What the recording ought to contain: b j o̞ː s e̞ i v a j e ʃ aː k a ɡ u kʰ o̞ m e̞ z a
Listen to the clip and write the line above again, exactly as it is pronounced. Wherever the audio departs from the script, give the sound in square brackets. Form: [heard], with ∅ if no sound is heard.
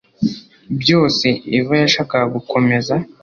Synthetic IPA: b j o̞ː s e̞ i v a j [a] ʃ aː k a ɡ u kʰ o̞ m e̞ z a